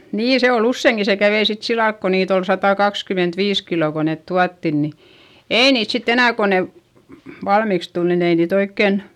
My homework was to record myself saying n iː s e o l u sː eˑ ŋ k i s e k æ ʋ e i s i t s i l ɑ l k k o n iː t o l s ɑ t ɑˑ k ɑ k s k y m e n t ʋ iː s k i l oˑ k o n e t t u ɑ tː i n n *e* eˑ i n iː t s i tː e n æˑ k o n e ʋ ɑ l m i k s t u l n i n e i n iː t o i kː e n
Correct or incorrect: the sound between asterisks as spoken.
incorrect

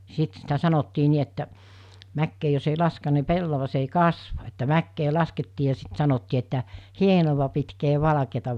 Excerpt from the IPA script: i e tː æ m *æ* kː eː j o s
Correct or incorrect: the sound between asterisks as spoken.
correct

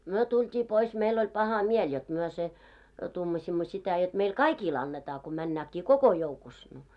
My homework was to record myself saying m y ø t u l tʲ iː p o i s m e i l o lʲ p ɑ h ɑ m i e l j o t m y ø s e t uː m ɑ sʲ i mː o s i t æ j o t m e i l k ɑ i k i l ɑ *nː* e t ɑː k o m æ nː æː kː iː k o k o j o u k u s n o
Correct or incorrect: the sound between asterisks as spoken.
correct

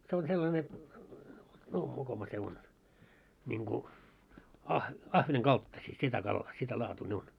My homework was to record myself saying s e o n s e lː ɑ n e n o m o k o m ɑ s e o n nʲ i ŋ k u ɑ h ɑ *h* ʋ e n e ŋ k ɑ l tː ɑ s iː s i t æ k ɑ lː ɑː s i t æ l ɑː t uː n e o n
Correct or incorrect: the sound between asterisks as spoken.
correct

